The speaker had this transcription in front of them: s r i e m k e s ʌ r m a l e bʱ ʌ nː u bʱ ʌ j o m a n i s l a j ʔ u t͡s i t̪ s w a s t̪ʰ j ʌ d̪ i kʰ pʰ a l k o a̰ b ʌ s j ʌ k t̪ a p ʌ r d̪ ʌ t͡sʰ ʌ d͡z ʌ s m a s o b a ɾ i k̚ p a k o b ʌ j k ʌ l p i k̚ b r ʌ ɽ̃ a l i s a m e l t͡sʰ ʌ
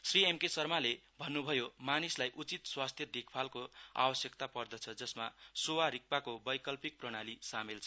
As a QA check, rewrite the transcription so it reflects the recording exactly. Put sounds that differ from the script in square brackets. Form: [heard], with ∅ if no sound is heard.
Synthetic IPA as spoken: s r i e m k e s ʌ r m a l e bʱ ʌ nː u bʱ ʌ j o m a n i s l a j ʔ u t͡s i t̪ s w a s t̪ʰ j ʌ d̪ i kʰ pʰ a l k o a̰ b ʌ s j ʌ k t̪ a p ʌ r d̪ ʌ t͡sʰ ʌ d͡z ʌ s m a s o [w] a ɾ i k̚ p a k o b ʌ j k ʌ l p i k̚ [p] r ʌ ɽ̃ a l i s a m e l t͡sʰ ʌ

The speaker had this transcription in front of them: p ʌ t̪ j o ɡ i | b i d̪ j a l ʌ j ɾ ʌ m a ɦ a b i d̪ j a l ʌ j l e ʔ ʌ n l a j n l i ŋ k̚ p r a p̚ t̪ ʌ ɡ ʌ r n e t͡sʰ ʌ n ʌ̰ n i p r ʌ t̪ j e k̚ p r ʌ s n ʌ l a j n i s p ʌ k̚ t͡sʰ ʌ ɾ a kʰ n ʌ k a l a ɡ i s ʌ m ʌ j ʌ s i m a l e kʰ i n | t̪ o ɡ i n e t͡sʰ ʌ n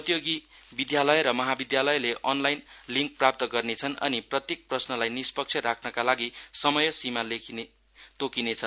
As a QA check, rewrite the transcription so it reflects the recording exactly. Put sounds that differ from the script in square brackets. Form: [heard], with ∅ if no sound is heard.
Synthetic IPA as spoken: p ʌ t̪ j o ɡ i | b i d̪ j a l ʌ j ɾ ʌ m [ʌ] ɦ a b i d̪ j a l ʌ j l e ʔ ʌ n l a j n l i ŋ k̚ p r a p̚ t̪ ʌ ɡ ʌ r n e t͡sʰ ʌ n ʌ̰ n i p r ʌ t̪ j e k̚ p r ʌ s n ʌ l a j n i s p ʌ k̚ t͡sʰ ʌ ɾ a kʰ n ʌ k a l a ɡ i s ʌ m ʌ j ʌ s i m a l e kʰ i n | t̪ o [k] i n e t͡sʰ ʌ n

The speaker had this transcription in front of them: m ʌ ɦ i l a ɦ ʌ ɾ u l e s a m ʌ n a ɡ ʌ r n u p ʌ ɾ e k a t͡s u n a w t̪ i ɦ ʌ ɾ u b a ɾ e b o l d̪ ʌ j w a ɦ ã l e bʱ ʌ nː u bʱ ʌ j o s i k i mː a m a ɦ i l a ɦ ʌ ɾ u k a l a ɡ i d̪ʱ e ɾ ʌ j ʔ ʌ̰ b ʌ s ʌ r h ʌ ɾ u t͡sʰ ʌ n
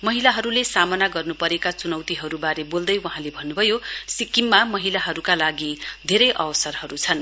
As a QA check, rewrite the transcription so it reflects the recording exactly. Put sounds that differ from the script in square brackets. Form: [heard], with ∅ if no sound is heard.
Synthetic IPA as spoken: m ʌ ɦ i l a ɦ ʌ ɾ u l e s a m ʌ n a ɡ ʌ r n u p ʌ ɾ e k a t͡s u n [ʌ] w t̪ i ɦ ʌ ɾ u b a ɾ e b o l d̪ ʌ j w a ɦ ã l e bʱ ʌ nː u bʱ ʌ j o s i k i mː a m [ʌ] ɦ i l a ɦ ʌ ɾ u k a l a ɡ i d̪ʱ e ɾ ʌ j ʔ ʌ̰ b ʌ s ʌ r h ʌ ɾ u t͡sʰ ʌ n

